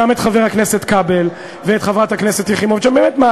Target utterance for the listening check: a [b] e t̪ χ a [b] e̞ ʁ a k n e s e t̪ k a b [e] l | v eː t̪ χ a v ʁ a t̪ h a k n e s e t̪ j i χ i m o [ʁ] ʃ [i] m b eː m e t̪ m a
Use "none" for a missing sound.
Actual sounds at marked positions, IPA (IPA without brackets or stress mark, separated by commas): m, v, e, v, a